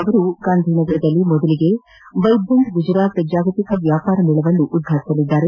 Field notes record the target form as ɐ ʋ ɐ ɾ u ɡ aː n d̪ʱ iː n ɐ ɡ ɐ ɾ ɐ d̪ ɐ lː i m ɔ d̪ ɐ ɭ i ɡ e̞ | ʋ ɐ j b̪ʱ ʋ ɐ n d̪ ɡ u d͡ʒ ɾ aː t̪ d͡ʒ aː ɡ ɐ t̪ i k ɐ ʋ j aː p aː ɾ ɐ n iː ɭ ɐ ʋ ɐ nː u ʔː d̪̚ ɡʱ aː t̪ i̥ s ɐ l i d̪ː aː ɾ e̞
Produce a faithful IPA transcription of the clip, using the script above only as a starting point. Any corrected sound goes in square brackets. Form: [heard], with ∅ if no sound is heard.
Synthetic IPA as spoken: ɐ ʋ ɐ ɾ u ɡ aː n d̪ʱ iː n ɐ ɡ ɐ ɾ ɐ d̪ ɐ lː i m ɔ d̪ ɐ [l] i ɡ e̞ | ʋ ɐ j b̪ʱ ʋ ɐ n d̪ ɡ u d͡ʒ ɾ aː t̪ d͡ʒ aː ɡ ɐ t̪ i k ɐ ʋ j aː p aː ɾ ɐ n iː ɭ ɐ ʋ ɐ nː u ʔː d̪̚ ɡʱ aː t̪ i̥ s ɐ l i d̪ː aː ɾ e̞

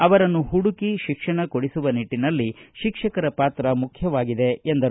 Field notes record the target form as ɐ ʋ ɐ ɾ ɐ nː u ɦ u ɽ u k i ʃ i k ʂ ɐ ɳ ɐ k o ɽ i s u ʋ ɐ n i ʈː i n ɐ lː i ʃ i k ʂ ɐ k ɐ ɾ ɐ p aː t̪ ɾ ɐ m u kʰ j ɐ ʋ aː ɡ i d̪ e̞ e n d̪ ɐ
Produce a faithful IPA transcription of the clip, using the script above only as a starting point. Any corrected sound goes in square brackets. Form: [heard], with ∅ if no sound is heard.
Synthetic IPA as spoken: ɐ ʋ ɐ ɾ ɐ nː u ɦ u ɽ u k i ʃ i k ʂ ɐ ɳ ɐ k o ɽ i s u ʋ ɐ n i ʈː i n ɐ lː i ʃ i k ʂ ɐ k ɐ ɾ ɐ p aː t̪ ɾ ɐ m u kʰ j ɐ ʋ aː ɡ i d̪ e̞ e n d̪ ɐ

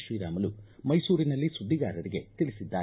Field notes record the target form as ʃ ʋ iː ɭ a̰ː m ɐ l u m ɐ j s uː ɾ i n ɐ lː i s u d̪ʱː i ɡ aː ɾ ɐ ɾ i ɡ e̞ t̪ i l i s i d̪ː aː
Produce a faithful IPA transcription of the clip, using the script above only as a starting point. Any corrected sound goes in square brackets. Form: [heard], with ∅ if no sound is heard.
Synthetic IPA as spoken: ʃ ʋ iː [ɾ] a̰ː m ɐ l u m ɐ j s uː ɾ i n ɐ lː i s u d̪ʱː i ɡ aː ɾ ɐ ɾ i ɡ e̞ t̪ i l i s i d̪ː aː

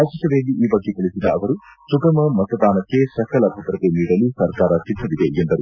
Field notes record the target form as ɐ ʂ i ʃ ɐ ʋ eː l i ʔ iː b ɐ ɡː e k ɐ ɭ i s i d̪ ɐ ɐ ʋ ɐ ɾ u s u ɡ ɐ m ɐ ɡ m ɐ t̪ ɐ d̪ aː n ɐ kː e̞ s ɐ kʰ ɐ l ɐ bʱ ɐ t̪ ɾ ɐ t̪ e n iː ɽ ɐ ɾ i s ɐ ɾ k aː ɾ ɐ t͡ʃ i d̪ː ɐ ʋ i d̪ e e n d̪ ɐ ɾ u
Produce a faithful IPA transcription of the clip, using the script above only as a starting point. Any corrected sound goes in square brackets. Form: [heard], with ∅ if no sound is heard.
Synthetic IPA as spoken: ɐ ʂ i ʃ ɐ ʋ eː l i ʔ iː b ɐ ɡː e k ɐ ɭ i s i d̪ ɐ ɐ ʋ ɐ ɾ u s u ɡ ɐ m ɐ [∅] m ɐ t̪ ɐ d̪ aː n ɐ kː e̞ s ɐ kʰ ɐ l ɐ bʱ ɐ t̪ ɾ ɐ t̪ e n iː ɽ ɐ [l] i s ɐ ɾ k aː ɾ ɐ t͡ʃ i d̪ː ɐ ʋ i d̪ e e n d̪ ɐ ɾ u

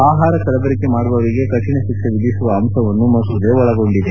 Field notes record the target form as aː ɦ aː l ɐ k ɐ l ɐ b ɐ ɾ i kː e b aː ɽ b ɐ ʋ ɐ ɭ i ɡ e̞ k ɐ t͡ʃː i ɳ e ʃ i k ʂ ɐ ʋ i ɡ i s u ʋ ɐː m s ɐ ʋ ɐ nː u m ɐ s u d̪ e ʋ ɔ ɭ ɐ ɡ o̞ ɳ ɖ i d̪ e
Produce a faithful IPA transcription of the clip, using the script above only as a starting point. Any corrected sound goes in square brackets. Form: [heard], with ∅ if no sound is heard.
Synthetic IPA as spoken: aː ɦ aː [ɾ] ɐ k ɐ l ɐ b ɐ ɾ i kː e [m] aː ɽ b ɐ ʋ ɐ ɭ i ɡ e̞ k ɐ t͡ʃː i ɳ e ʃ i k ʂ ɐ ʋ i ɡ i s u ʋ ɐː m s ɐ ʋ ɐ nː u m ɐ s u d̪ e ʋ ɔ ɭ ɐ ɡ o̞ ɳ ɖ i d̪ e

